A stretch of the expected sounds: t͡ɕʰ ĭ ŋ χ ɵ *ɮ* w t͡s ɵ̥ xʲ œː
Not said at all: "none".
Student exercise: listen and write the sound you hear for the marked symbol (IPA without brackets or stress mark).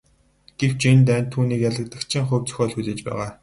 none